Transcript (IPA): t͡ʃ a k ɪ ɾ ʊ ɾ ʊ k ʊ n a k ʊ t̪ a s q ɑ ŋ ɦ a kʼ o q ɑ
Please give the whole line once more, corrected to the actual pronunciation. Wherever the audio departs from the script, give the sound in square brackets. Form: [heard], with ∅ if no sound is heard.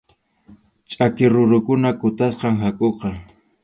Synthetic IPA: [t͡ʃʼ] a k ɪ ɾ ʊ ɾ ʊ k ʊ n a k ʊ t̪ a s q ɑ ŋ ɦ a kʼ o q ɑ